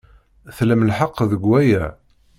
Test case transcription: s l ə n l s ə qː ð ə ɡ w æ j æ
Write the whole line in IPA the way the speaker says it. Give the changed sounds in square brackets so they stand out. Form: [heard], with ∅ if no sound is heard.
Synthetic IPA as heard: [θ] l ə [m] l [ħ] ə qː ð ə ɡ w æ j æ